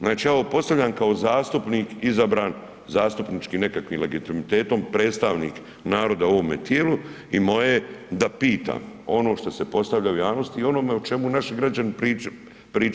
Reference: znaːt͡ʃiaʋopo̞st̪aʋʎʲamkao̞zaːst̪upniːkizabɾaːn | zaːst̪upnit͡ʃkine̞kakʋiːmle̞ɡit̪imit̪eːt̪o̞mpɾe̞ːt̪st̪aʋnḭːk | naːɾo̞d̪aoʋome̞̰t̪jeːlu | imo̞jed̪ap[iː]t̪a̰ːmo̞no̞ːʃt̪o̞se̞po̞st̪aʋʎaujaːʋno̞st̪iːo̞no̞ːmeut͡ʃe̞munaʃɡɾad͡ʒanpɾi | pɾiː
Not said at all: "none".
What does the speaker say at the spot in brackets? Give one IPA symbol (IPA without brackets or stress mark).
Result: iː